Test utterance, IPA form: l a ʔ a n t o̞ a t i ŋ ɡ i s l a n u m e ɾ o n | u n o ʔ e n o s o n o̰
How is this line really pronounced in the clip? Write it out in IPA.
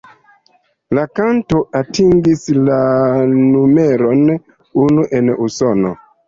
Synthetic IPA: l a k a n t o̞ a t i ŋ ɡ i s l a n u m e ɾ o n | u n u ʔ e n u s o n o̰